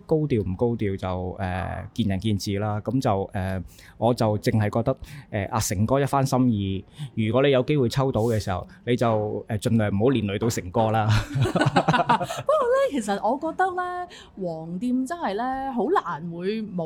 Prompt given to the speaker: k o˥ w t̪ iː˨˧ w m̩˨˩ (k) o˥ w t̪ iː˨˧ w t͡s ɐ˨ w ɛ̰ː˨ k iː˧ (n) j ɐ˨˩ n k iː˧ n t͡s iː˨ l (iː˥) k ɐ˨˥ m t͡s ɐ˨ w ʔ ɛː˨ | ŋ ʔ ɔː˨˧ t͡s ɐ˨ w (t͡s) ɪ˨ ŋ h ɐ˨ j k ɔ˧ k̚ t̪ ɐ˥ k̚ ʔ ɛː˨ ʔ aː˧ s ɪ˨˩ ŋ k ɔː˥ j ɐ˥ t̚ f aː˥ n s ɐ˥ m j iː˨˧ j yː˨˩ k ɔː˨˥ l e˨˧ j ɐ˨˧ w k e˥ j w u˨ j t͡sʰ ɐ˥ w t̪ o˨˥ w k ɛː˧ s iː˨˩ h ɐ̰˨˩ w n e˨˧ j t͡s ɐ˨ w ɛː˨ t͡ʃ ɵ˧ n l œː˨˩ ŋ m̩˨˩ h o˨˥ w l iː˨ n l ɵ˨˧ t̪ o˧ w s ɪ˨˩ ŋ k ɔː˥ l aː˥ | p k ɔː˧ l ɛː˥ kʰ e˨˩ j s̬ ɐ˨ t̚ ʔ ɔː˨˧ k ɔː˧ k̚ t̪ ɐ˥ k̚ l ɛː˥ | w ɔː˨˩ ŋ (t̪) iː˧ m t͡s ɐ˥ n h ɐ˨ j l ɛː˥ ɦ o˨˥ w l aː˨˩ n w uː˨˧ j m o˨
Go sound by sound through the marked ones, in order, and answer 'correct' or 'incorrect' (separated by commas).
correct, correct, incorrect, correct, correct